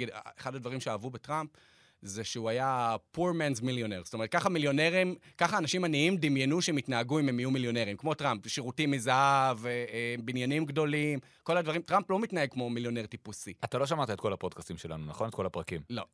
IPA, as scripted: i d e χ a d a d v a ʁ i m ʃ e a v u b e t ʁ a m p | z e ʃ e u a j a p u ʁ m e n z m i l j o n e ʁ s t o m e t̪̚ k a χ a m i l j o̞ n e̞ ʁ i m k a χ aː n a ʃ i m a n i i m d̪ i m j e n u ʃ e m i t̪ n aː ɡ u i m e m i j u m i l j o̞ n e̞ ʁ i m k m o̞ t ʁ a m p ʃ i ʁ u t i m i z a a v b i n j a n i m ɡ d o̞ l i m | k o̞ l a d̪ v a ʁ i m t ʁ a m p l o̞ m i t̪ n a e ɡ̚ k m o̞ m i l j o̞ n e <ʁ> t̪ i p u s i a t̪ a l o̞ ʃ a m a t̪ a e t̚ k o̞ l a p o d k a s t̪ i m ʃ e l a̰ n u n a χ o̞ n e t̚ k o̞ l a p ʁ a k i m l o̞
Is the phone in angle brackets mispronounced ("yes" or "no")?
no